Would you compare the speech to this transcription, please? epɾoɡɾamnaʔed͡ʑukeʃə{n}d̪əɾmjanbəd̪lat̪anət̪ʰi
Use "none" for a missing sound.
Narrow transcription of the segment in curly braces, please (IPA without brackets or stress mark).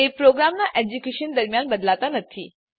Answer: n